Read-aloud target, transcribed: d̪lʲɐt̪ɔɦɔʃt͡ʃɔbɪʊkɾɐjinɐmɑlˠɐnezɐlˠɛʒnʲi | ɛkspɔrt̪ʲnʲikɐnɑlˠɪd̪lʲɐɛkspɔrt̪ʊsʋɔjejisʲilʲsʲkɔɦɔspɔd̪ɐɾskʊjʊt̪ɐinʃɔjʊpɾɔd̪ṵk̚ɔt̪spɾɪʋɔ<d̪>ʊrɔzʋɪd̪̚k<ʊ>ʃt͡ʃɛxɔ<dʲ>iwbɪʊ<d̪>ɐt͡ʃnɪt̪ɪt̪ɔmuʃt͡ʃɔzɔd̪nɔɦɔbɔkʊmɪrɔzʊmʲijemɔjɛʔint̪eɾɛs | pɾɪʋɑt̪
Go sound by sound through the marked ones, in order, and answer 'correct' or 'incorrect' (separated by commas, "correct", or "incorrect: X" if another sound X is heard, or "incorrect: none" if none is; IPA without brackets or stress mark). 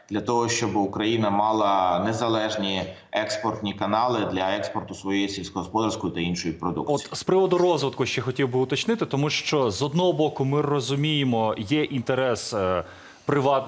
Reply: correct, correct, incorrect: tʲ, incorrect: t̪